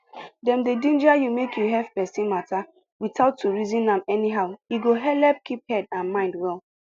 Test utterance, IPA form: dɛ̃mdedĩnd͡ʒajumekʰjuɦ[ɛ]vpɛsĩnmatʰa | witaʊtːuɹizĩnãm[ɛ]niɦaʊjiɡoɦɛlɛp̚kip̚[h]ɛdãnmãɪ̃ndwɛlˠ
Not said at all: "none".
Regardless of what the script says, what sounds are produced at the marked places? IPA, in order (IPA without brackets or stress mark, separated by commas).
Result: ɛ, ɛ, h